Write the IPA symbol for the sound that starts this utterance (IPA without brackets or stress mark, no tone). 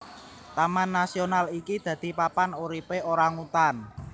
t̪